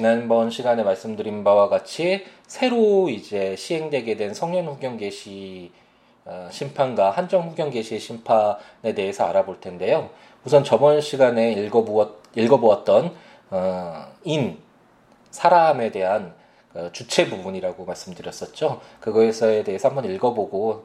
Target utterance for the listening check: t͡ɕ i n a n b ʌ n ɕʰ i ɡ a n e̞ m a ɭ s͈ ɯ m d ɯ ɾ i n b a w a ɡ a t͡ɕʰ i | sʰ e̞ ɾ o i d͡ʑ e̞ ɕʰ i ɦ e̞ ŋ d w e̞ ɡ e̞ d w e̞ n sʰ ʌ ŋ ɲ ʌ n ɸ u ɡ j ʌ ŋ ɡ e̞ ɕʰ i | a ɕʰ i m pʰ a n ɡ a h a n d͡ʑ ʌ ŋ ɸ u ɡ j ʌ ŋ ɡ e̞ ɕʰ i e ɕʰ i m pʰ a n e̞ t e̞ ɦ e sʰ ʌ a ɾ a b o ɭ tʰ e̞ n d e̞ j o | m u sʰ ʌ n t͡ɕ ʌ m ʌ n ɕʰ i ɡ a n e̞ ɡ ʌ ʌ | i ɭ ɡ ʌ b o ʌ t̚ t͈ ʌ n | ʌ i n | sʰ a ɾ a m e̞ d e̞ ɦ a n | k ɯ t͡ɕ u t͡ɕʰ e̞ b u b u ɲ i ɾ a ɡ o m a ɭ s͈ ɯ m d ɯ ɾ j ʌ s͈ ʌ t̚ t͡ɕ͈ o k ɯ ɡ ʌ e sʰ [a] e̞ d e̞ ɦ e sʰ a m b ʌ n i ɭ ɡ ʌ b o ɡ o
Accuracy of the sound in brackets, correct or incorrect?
incorrect